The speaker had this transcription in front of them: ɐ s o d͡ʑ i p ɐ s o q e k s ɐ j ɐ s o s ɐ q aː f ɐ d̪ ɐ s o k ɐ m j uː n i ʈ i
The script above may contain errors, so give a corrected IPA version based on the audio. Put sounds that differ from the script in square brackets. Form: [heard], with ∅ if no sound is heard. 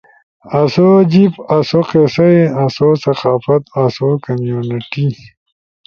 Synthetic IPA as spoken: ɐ s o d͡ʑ i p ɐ s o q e [∅] s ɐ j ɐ s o s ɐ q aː f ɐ [t̪] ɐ s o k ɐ m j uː n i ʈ i